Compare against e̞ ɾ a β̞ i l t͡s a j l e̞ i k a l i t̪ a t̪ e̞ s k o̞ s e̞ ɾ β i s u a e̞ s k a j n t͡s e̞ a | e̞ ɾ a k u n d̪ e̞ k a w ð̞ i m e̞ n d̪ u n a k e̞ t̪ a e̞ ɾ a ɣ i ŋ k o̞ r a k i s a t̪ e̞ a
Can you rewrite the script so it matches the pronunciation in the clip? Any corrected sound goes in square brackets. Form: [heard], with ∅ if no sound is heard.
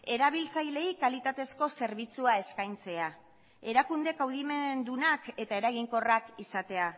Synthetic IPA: e̞ ɾ a β̞ i l t͡s a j l e̞ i k a l i t̪ a t̪ e̞ s k o̞ s e̞ ɾ β i [t͡s] u a e̞ s k a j n t͡s e̞ a | e̞ ɾ a k u n d̪ e̞ k a w ð̞ i m e̞ n d̪ u n a k e̞ t̪ a e̞ ɾ a ɣ i ŋ k o̞ r a k i s a t̪ e̞ a